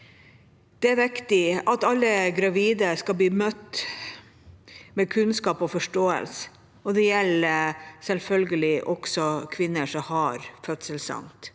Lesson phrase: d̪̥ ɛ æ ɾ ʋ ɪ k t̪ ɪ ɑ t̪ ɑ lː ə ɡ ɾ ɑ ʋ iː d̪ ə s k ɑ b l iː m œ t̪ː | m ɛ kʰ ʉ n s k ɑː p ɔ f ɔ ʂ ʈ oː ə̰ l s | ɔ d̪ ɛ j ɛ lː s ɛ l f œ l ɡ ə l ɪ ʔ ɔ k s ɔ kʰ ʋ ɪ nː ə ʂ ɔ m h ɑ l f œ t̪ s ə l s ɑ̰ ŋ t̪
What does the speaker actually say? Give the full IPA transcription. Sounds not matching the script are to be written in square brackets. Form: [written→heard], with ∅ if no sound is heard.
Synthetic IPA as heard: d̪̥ ɛ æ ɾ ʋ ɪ k t̪ ɪ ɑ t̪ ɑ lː ə ɡ ɾ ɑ ʋ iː d̪ ə s k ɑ b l iː m œ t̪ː | m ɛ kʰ ʉ n s k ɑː p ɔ f ɔ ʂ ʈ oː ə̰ l s | ɔ d̪ ɛ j ɛ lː s ɛ l f œ l ɡ ə l ɪ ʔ ɔ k s ɔ kʰ ʋ ɪ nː ə ʂ ɔ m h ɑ [l→ɾ] f œ t̪ s ə l s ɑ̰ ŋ t̪